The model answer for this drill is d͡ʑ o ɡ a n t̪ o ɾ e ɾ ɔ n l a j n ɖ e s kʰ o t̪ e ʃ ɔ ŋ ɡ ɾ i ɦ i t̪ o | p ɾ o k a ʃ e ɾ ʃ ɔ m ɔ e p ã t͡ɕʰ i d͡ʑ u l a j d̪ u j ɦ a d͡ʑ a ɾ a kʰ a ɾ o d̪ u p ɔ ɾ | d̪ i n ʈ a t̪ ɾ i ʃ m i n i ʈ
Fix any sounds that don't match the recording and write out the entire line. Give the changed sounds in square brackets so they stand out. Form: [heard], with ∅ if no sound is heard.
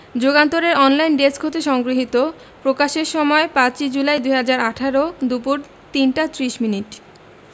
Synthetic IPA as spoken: d͡ʑ o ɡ a n t̪ o ɾ e ɾ ɔ n l a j n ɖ e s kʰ o t̪ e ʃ ɔ ŋ ɡ ɾ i ɦ i t̪ o | p ɾ o k a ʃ e ɾ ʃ ɔ m ɔ e p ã [t͡ɕ] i d͡ʑ u l a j d̪ u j ɦ a d͡ʑ a ɾ a [ʈʰ] a ɾ o d̪ u p [u] ɾ | [t̪] i n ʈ a t̪ ɾ i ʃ m i n i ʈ

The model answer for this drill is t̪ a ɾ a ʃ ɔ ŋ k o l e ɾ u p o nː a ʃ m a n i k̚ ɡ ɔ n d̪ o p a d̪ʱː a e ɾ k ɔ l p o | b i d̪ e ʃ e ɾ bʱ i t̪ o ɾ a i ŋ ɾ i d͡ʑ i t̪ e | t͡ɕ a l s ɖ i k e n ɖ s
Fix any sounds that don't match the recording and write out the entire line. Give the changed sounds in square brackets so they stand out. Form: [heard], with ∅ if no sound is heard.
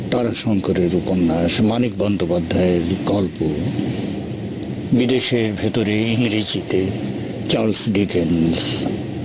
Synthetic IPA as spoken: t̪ a ɾ a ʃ ɔ ŋ k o [ɾ] e ɾ u p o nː a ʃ m a n i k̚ [b] ɔ n d̪ o p a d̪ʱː a e ɾ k ɔ l p o | b i d̪ e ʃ e ɾ bʱ [e] t̪ o ɾ [e] i ŋ ɾ i d͡ʑ i t̪ e | t͡ɕ a l s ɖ i k e n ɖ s

